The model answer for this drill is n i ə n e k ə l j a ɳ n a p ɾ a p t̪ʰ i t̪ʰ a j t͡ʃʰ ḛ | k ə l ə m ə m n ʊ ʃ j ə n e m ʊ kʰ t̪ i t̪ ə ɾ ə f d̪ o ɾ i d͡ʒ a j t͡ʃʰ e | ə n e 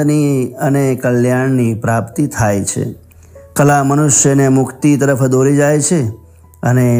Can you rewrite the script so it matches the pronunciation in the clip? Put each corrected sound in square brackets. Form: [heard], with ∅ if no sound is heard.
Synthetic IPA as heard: n i ə n e k ə l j a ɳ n [i] p ɾ a p [t̪] i t̪ʰ a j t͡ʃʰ ḛ | k ə l [a] m ə [∅] n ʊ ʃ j ə n e m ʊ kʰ t̪ i t̪ ə ɾ ə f d̪ o ɾ i d͡ʒ a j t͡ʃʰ e | ə n e